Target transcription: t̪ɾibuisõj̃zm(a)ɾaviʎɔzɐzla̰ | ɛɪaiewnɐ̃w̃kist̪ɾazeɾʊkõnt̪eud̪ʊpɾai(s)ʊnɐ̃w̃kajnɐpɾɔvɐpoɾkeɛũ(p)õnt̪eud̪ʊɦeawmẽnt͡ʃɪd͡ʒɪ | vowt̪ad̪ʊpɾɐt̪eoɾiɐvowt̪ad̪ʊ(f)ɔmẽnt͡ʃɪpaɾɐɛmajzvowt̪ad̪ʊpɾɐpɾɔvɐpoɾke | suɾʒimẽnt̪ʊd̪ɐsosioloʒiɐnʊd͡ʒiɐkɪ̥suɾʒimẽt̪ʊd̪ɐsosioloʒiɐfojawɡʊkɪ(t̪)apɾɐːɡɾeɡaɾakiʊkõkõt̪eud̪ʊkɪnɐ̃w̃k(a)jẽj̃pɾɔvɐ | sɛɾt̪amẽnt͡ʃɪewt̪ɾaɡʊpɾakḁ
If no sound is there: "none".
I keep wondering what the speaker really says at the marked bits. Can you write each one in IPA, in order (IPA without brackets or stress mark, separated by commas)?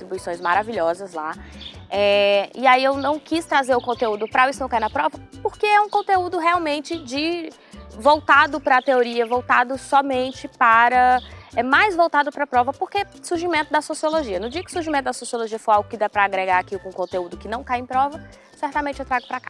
a, s, k, s, d̪, a